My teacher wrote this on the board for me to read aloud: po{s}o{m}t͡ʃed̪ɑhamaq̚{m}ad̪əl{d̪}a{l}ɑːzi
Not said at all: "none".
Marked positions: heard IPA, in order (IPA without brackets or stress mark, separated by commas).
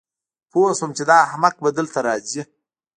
s, m, b, t̪, ɾ